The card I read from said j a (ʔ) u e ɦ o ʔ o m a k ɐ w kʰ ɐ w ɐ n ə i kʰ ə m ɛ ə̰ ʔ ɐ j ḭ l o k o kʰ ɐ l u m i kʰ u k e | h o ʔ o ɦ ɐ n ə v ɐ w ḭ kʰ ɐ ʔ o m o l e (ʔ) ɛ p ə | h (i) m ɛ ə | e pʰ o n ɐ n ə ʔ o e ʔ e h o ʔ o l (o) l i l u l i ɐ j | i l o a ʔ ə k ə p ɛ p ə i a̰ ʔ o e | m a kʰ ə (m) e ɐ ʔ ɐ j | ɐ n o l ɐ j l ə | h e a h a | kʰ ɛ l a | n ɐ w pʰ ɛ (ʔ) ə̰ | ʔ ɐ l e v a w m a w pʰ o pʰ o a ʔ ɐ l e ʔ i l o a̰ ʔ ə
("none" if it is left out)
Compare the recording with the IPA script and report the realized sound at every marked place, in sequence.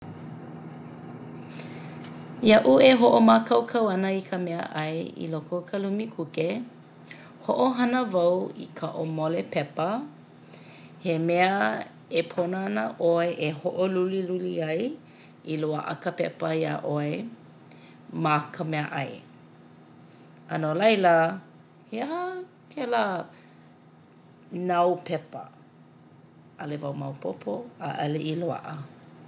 ʔ, p, e, u, m, p

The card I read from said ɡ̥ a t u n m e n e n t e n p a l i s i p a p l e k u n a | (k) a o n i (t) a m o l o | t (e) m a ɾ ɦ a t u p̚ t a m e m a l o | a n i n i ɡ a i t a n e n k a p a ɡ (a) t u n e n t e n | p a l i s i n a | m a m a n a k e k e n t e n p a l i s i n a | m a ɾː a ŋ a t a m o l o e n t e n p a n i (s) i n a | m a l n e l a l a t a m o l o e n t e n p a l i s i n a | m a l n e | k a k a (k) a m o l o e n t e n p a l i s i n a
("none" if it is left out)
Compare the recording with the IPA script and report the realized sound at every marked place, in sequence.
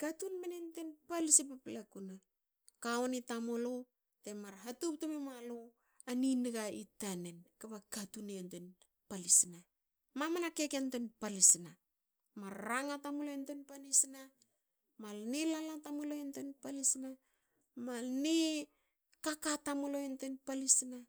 k, t, e, a, s, t

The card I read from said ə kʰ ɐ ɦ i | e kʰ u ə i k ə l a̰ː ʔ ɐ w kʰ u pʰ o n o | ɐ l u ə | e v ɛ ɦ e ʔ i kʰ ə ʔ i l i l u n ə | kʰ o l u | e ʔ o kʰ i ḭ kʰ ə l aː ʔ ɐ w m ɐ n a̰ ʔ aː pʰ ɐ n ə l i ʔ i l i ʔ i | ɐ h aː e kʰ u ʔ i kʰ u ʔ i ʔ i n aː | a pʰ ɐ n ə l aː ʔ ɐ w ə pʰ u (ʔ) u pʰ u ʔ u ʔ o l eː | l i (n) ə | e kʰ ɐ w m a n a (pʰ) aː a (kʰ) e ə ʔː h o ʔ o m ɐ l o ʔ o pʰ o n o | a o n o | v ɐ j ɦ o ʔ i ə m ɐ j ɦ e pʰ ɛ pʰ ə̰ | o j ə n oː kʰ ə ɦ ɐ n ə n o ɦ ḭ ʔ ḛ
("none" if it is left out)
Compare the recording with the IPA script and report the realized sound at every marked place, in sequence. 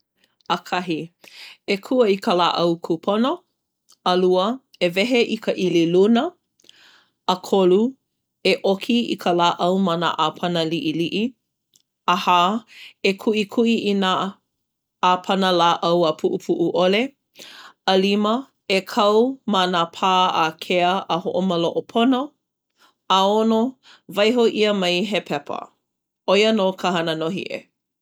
ʔ, m, pʰ, kʰ

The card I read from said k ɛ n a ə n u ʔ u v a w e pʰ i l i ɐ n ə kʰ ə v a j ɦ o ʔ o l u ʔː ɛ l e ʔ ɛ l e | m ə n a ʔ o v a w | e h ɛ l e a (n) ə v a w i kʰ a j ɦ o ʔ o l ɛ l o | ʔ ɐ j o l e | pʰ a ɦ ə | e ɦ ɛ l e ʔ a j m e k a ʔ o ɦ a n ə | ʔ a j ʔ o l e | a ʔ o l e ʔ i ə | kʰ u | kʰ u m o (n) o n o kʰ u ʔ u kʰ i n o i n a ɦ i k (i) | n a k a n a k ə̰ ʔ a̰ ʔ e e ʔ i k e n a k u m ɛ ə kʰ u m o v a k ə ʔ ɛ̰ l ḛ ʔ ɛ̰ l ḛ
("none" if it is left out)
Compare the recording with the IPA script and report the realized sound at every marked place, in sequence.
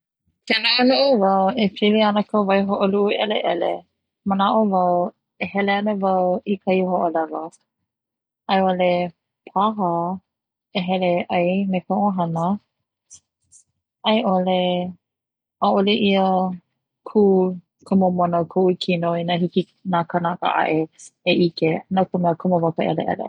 n, m, i

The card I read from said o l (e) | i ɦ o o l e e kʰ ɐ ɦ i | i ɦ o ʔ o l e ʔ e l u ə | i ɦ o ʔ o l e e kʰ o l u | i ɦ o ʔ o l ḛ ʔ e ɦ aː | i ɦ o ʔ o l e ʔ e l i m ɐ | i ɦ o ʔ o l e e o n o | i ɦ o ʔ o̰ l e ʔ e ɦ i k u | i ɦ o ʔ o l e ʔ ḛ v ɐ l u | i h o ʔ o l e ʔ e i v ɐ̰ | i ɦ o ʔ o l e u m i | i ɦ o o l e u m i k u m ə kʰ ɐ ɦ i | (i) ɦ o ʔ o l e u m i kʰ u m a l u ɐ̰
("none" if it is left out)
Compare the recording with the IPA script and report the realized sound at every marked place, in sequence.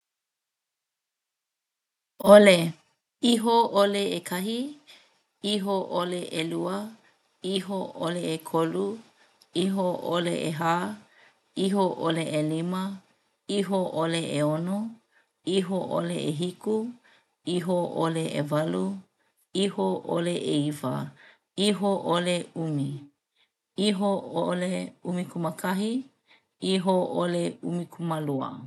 e, i

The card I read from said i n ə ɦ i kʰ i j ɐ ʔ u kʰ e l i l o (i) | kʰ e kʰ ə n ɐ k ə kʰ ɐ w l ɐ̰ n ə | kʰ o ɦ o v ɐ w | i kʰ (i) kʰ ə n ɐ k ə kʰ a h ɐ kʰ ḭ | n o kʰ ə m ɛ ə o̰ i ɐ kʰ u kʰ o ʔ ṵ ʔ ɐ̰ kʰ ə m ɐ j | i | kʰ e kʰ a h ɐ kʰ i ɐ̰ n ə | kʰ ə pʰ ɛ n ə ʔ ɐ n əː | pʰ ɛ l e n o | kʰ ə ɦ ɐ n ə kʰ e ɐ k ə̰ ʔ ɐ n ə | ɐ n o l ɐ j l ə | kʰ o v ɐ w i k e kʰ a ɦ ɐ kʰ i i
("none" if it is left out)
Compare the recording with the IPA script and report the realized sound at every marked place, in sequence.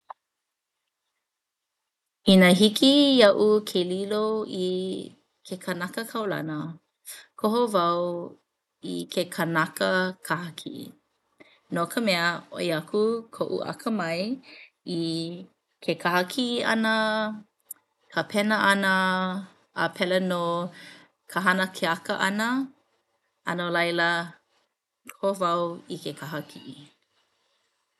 i, e

